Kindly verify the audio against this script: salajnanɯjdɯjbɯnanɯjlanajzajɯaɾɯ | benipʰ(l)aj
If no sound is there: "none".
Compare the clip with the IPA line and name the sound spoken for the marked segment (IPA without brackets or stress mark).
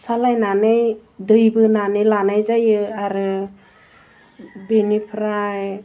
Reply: ɾ